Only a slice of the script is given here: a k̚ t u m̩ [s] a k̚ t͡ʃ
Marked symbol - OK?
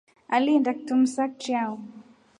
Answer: yes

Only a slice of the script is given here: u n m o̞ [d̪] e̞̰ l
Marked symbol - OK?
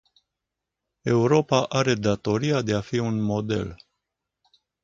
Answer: yes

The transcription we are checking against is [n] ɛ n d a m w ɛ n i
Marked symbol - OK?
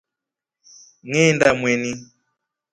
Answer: no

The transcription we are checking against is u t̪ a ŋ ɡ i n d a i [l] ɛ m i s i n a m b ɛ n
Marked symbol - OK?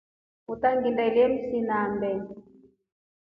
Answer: yes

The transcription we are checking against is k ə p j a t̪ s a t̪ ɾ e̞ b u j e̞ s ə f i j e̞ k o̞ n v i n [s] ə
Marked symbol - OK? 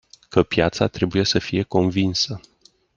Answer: yes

